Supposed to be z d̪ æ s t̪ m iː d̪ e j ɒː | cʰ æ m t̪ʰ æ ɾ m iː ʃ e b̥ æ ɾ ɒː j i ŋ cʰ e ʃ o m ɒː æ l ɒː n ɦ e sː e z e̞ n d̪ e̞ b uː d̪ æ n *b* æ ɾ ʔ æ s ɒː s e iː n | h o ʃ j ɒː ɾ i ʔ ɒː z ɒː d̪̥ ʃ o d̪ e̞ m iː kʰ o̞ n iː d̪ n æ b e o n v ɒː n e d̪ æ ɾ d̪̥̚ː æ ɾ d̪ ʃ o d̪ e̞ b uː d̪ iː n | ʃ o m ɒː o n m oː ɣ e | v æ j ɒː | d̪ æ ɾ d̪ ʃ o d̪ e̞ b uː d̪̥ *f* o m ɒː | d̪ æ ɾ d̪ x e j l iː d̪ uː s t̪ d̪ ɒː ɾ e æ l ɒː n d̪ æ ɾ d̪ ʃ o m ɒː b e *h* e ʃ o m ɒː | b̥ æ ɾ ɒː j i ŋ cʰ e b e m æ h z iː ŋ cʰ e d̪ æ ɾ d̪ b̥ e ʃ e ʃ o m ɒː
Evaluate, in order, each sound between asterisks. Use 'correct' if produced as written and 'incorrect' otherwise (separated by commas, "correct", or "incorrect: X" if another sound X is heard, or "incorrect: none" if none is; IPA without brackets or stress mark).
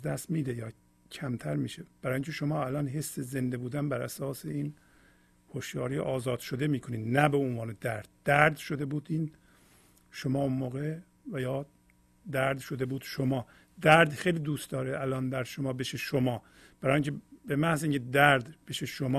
correct, incorrect: ʃ, incorrect: ʃ